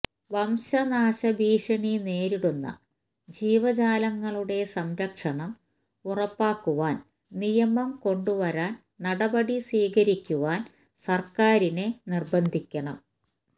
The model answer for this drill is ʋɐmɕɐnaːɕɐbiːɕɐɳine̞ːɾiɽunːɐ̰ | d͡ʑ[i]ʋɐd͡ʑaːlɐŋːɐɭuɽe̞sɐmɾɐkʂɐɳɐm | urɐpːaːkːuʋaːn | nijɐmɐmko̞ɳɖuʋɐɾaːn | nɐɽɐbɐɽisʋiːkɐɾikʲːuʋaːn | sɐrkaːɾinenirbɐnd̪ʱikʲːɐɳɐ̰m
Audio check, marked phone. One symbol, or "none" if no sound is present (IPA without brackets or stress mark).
iː